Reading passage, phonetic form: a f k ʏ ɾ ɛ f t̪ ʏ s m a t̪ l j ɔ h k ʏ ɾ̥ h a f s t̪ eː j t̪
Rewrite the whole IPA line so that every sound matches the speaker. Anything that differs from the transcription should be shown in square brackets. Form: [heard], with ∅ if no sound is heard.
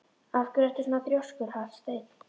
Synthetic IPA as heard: a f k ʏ ɾ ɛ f t̪ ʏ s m a t̪ [ɾ] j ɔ [s] k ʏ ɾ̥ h a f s t̪ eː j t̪